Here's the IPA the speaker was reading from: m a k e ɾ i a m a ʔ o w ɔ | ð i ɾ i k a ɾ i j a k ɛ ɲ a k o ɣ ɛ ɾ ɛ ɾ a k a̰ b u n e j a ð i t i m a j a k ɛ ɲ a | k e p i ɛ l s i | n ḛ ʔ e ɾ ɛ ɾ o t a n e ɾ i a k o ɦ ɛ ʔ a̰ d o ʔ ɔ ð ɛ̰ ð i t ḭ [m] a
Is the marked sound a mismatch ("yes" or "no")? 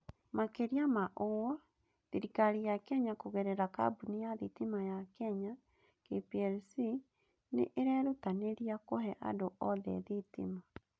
no